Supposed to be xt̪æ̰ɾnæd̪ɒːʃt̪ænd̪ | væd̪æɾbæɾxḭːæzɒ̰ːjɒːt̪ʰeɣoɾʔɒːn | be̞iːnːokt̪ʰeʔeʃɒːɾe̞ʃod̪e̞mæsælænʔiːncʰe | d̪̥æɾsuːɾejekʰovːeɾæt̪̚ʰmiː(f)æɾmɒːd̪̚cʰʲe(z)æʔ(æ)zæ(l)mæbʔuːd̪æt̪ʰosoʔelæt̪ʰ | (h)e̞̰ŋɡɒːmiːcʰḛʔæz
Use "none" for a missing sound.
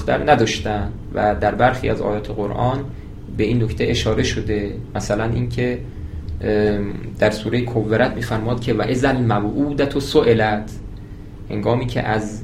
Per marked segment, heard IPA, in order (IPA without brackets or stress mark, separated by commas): f, v, e, l, h